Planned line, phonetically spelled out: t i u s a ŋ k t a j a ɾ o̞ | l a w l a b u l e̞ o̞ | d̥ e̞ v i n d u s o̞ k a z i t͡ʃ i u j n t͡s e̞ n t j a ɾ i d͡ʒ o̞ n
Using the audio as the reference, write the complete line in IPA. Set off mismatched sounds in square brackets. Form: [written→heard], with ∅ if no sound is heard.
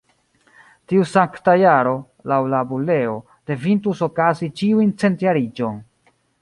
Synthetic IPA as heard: t i u s a ŋ k t a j a ɾ o̞ | l a w l a b u l e̞ o̞ | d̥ e̞ v i n [d→t] u s o̞ k a z i t͡ʃ i u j n t͡s e̞ n t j a ɾ i d͡ʒ o̞ n